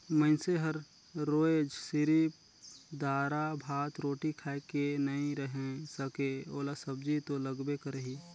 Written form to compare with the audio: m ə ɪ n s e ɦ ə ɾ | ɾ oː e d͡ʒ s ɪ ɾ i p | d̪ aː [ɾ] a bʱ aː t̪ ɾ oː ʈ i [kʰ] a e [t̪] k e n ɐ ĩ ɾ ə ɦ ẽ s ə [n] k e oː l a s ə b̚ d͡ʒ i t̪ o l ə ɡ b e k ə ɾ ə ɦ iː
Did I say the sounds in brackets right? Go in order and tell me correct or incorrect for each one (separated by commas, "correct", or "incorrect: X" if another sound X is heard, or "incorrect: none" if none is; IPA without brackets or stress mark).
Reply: correct, correct, incorrect: none, incorrect: none